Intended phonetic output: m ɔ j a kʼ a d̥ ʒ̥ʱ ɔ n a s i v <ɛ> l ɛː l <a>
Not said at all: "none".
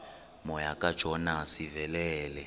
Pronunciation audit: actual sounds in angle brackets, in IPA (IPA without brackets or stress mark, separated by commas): ɛ, ɛ